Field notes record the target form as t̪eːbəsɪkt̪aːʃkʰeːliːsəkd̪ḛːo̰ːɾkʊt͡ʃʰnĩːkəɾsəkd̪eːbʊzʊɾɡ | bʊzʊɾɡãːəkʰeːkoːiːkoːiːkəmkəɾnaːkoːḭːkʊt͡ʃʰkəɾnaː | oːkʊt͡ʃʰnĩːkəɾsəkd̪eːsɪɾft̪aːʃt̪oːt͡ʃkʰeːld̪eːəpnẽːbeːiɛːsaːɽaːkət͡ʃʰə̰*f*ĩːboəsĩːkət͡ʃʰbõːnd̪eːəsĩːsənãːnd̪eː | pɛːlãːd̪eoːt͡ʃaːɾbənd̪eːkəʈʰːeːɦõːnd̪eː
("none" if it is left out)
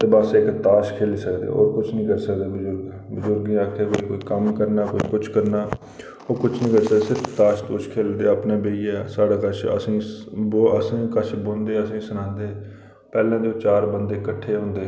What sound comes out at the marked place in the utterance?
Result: s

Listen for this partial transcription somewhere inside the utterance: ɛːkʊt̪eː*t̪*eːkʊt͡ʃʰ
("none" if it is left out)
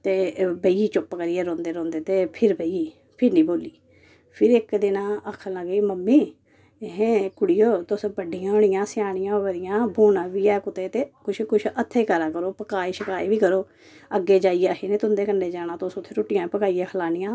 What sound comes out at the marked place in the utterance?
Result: t̪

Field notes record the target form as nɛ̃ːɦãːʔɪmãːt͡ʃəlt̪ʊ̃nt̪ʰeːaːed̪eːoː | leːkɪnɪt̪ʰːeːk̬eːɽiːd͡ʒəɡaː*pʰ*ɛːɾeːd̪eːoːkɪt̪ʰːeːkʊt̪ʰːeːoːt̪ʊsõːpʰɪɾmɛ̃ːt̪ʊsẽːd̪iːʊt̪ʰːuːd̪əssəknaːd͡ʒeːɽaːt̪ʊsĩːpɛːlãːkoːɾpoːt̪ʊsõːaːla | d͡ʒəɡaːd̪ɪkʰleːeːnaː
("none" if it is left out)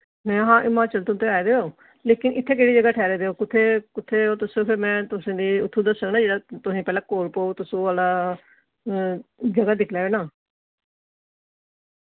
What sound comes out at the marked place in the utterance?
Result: ʈʰ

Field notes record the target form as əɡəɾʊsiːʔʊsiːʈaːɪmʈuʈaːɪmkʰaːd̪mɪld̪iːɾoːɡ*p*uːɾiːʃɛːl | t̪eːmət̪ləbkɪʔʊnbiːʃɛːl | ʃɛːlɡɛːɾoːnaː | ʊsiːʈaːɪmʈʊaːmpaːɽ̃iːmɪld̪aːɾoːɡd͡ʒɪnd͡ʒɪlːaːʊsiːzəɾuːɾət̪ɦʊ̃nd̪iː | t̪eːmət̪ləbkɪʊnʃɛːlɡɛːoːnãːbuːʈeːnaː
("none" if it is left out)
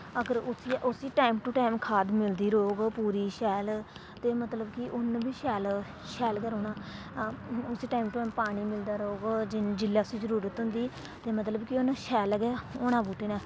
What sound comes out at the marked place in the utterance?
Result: p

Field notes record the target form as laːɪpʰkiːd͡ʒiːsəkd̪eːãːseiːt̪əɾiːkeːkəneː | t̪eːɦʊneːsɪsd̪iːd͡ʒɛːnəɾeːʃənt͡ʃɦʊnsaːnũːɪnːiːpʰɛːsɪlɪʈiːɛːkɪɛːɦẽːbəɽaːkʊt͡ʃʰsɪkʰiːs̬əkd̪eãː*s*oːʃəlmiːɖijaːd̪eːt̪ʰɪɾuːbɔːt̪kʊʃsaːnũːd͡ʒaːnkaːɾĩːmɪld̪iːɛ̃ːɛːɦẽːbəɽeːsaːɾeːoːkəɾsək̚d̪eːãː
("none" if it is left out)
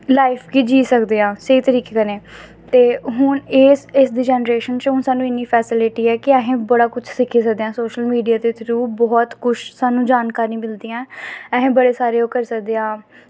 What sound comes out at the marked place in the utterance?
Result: s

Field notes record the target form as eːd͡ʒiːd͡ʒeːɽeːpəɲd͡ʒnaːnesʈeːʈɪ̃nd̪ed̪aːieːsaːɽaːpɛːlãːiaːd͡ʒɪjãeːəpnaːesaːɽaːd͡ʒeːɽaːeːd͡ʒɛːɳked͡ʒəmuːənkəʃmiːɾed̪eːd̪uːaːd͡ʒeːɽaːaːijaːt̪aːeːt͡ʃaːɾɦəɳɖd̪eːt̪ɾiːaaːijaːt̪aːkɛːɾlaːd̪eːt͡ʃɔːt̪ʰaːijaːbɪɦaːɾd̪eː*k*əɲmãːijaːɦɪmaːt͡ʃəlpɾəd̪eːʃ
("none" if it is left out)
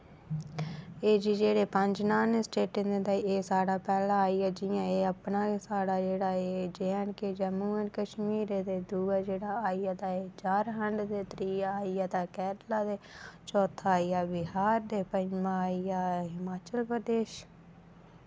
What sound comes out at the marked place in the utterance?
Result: p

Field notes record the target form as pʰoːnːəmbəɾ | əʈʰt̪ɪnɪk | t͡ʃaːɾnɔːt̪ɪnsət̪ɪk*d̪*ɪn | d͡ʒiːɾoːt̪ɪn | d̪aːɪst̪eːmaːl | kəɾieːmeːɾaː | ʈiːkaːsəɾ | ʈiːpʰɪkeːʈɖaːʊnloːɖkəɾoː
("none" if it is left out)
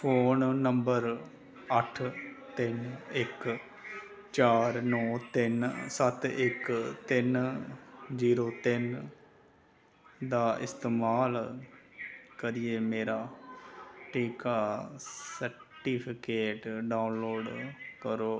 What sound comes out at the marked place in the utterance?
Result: t̪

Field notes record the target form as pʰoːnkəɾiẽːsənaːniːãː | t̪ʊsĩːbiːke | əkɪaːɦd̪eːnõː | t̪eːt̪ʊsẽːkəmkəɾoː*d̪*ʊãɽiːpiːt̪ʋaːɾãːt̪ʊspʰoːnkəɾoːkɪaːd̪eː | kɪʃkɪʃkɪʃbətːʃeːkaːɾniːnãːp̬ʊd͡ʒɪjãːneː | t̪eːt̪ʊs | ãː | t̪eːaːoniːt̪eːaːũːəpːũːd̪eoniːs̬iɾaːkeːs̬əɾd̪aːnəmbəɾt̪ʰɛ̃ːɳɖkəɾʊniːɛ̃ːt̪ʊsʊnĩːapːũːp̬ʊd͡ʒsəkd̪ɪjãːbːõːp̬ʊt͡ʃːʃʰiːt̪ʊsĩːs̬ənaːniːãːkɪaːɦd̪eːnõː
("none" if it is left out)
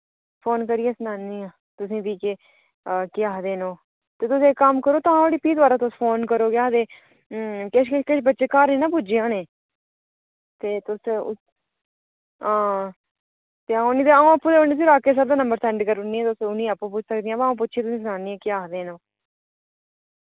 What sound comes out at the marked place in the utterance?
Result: t̪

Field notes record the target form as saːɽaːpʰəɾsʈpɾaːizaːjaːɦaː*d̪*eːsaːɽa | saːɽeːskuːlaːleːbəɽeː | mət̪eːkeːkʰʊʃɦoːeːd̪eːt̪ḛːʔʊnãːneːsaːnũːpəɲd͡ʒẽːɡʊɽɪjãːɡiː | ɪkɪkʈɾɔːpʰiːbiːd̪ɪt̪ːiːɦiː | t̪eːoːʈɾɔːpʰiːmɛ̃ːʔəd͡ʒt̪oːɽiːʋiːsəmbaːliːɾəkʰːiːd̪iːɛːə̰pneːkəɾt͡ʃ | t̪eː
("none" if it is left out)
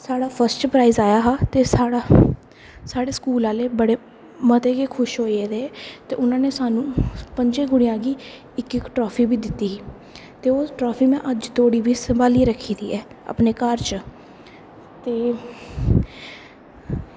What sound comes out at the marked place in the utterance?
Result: t̪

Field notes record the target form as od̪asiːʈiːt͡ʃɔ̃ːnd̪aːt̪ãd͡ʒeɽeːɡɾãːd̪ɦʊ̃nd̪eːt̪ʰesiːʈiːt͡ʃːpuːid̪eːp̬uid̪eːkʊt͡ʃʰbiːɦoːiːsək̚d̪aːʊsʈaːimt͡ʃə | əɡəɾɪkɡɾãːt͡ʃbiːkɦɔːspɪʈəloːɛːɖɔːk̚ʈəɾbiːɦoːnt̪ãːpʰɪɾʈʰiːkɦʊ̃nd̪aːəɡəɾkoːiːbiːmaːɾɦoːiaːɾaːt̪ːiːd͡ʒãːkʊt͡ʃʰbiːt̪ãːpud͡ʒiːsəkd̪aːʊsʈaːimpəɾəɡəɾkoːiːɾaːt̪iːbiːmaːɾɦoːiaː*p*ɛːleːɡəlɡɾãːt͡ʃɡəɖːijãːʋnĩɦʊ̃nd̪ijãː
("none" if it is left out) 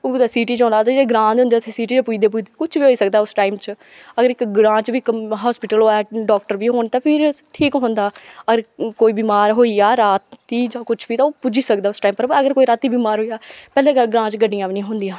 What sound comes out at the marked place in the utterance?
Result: p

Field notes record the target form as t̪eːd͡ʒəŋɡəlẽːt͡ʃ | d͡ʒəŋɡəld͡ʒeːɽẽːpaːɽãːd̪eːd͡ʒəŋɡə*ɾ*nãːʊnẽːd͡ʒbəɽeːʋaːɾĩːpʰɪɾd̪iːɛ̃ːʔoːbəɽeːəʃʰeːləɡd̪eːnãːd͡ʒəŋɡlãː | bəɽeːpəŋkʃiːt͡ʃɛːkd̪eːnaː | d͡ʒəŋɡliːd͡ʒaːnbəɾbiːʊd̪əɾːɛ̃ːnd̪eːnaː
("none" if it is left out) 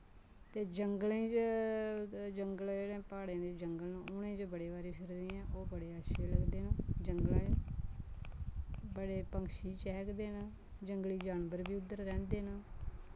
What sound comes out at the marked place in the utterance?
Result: l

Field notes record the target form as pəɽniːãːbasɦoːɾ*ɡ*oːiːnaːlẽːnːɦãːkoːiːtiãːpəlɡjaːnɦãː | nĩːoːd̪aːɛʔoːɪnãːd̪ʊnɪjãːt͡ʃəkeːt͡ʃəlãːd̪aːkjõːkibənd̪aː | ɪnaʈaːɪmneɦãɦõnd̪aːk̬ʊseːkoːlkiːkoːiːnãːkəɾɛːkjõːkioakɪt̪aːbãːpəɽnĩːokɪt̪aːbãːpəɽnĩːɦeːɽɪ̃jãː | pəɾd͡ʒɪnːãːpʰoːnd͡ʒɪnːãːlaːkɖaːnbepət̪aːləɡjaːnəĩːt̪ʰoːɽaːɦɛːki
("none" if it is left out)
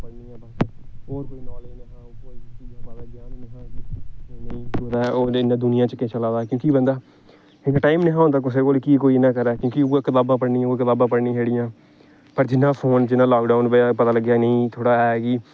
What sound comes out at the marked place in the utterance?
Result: k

